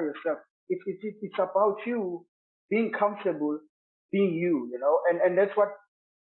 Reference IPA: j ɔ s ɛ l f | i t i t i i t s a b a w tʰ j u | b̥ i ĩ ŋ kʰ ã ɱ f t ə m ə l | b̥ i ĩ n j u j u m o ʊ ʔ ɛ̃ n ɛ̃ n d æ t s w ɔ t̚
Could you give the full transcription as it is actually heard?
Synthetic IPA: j ɔ s ɛ l f | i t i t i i t s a b a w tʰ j u | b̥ i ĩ ŋ kʰ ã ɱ f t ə b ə l | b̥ i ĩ ŋ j u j u n o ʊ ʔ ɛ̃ n ɛ̃ n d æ t s w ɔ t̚

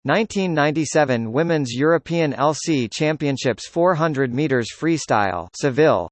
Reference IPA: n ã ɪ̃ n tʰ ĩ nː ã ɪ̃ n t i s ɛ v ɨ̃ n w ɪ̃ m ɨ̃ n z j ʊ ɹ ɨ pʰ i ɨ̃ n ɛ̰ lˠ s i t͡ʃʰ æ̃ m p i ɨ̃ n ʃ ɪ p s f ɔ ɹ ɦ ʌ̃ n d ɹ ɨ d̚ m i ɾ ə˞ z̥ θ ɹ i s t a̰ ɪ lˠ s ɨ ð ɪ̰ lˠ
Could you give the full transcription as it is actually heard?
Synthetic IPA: n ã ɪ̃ n tʰ ĩ nː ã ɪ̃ n t i s ɛ v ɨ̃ n w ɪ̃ m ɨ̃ n z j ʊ ɹ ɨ pʰ i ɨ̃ n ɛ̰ lˠ s i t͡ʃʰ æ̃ m p i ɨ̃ n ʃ ɪ p s f ɔ ɹ ɦ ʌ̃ n d ɹ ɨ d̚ m i ɾ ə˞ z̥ f ɹ i s t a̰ ɪ lˠ s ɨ v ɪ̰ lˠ

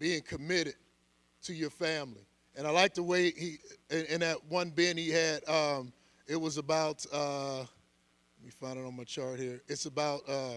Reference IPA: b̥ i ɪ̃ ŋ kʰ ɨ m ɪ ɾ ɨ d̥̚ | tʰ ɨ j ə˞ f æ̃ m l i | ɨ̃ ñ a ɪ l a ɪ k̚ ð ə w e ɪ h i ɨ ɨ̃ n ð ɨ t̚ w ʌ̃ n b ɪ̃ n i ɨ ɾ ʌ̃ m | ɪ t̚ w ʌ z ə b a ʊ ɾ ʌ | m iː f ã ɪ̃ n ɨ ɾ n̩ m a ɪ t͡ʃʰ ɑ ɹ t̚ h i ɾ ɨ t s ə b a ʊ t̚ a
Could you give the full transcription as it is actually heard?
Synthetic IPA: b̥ i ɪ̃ ŋ kʰ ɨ m ɪ ɾ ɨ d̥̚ | tʰ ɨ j ə˞ f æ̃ m l i | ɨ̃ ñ a ɪ l a ɪ k̚ ð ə w e ɪ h i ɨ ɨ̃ n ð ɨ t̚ w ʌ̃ n b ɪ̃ n i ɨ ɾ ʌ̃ m | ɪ t̚ w ʌ z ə b a ʊ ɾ ʌ | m i f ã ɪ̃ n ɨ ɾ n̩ m a ɪ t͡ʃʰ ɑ ɹ t̚ h i ɹ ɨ t s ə b a ʊ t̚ ʌ

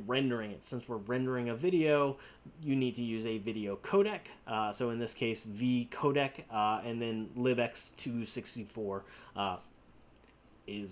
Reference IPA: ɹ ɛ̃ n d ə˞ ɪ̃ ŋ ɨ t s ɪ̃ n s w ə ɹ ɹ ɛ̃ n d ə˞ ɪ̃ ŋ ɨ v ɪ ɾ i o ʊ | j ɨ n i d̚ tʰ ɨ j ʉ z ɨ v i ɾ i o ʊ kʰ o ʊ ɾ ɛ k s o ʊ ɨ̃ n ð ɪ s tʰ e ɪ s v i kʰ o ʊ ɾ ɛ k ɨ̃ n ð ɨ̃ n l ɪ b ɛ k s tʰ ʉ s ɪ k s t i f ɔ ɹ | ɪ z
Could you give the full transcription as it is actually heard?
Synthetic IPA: ɹ ɛ̃ n d ə˞ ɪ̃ ŋ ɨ t s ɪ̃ n s w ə ɹ ɹ ɛ̃ n d ə˞ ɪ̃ ŋ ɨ v ɪ ɾ i o ʊ | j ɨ n i d̚ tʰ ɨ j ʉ z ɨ v ɪ ɾ i o ʊ kʰ o ʊ ɾ ɛ k s o ʊ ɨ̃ n ð ɪ s kʰ e ɪ s v i kʰ o ʊ ɾ ɛ k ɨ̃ n ð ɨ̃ n l ɪ b ɛ k s tʰ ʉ s ɪ k s t i f ɔ ɹ | ɪ z

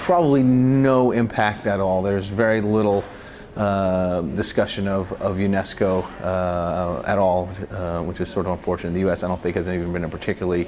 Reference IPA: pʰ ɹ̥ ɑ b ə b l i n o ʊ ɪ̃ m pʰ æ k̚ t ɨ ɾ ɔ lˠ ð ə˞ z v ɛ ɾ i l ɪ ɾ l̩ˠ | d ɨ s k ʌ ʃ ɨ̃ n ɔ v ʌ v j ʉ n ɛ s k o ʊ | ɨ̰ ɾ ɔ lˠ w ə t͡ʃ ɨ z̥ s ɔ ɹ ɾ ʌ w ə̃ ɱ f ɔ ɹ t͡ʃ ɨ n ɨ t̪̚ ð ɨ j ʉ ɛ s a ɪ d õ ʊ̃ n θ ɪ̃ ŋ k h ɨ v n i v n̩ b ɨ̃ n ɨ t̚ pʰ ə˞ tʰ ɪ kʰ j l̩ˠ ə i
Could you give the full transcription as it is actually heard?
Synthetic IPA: pʰ ɹ̥ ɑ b ə b l i n o ʊ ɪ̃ m pʰ æ k̚ t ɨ ɾ ɔ lˠ ð ə˞ z v ɛ ɹ i l ɪ ɾ l̩ˠ | d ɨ s k ʌ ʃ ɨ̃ n ʌ v ʌ v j ʉ n ɛ s k o ʊ | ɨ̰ ɾ ɔ lˠ w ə t͡ʃ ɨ z̥ s ɔ ɹ ɾ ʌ v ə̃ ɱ f ɔ ɹ t͡ʃ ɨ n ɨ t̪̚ ð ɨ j ʉ ɛ s a ɪ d õ ʊ̃ n θ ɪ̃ ŋ k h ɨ z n i v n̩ b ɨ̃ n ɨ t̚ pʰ ə˞ tʰ ɪ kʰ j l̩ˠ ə i

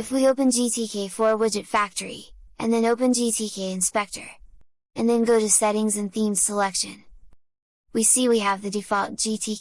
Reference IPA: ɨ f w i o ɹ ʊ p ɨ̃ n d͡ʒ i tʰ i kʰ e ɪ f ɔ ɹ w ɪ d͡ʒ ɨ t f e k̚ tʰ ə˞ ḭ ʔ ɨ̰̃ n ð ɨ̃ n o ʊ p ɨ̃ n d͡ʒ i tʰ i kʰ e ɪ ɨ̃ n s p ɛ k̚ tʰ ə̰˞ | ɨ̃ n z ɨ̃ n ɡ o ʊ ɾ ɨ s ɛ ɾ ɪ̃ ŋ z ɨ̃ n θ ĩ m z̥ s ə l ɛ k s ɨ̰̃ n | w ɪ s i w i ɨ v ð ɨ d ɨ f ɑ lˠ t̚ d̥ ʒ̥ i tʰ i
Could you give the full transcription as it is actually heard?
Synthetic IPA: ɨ f w i o ʊ p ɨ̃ n d͡ʒ i tʰ i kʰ e ɪ f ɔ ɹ w ɪ d͡ʒ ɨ t f æ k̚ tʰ ə˞ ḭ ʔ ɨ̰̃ n ð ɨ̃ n o ʊ p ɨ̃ n d͡ʒ i tʰ i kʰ e ɪ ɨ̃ n s p ɛ k̚ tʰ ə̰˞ | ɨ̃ n ð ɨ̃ n ɡ o ʊ ɾ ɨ s ɛ ɾ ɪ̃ ŋ z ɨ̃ n θ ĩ m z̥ s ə l ɛ k ʃ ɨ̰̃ n | w i s i w i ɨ v ð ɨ d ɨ f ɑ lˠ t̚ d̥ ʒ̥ i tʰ i

